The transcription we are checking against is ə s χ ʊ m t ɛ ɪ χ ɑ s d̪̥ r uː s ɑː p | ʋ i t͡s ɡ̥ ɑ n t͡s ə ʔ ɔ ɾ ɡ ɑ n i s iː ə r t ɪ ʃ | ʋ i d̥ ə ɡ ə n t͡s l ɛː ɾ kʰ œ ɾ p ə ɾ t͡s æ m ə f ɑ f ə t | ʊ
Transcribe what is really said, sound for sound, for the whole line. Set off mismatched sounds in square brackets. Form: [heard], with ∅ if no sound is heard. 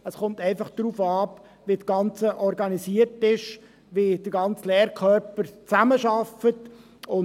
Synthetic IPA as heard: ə s χ ʊ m t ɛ ɪ [f] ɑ [χ] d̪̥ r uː [f] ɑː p | ʋ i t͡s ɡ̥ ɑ n t͡s ə ʔ ɔ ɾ ɡ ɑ n i s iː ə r t ɪ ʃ | ʋ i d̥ ə ɡ [ɑ] n t͡s l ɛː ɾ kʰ œ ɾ p ə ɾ t͡s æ m ə [ʃ] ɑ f ə t | ʊ